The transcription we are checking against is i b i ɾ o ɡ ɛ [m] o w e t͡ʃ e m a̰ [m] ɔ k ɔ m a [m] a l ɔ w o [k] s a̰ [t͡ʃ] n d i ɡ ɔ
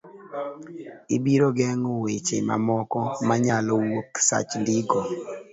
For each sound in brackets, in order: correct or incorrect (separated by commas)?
incorrect, correct, incorrect, correct, correct